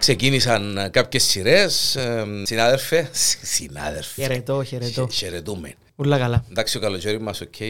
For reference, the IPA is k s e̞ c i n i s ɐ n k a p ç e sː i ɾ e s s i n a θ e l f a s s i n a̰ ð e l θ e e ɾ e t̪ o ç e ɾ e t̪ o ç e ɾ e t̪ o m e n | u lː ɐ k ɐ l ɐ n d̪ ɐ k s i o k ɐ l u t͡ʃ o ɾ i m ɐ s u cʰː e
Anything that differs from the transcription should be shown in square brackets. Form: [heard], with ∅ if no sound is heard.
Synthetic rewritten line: k s e̞ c i n i s ɐ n k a p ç e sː i ɾ e s s i n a [ð] e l f [e] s s i n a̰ ð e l [f] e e ɾ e t̪ o ç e ɾ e t̪ o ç e ɾ e t̪ [u] m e n | u lː ɐ k ɐ l ɐ n d̪ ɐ k s i o k ɐ l [o] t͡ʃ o ɾ i m ɐ s [o] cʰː e